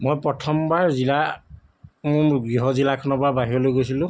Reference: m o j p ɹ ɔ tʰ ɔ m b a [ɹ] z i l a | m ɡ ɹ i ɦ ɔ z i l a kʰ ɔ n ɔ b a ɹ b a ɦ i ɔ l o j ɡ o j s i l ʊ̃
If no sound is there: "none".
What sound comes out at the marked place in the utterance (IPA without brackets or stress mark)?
ɹ